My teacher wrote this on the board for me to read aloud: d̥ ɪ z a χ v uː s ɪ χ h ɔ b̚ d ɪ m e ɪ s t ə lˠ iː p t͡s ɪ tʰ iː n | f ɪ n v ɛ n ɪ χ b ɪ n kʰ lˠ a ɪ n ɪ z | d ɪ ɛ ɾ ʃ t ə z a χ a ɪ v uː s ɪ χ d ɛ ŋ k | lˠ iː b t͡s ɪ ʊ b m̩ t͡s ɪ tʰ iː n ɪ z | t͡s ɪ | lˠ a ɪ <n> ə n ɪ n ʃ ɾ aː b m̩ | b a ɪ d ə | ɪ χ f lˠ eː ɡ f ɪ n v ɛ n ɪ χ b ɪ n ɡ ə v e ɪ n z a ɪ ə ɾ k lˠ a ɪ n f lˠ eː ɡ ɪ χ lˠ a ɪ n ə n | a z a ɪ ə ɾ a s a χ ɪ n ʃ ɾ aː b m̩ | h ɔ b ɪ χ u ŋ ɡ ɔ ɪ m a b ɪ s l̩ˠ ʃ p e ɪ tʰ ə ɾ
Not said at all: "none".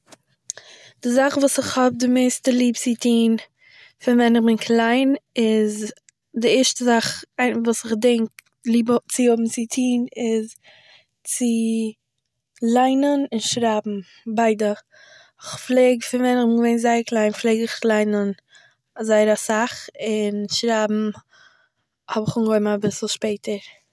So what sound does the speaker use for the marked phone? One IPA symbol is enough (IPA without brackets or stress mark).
n